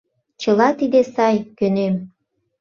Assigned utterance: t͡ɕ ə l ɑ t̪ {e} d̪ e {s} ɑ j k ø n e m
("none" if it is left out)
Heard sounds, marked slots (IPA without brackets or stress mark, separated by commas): i, s